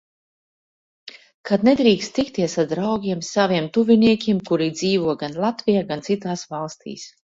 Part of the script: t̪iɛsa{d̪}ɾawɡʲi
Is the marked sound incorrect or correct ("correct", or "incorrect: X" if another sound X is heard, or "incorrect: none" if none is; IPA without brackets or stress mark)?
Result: correct